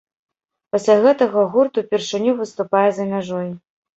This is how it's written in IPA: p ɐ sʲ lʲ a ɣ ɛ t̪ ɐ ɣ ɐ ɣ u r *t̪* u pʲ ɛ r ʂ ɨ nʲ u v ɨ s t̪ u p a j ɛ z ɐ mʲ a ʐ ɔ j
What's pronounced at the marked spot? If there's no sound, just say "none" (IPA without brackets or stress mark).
t̪